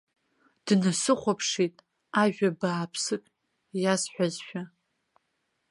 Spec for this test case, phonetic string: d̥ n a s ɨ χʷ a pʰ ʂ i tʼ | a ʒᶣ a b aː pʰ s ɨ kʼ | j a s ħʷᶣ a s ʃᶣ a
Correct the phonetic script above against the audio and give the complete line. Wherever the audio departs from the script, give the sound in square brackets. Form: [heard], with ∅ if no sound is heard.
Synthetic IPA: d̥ n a s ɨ χʷ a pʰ ʂ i tʼ | a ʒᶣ a b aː pʰ s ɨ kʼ | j a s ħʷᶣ a [z] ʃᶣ a